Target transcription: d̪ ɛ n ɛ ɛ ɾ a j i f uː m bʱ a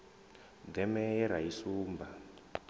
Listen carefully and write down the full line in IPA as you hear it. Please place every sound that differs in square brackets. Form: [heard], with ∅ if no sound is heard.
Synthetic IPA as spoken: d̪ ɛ [m] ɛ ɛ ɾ a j i [s] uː m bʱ a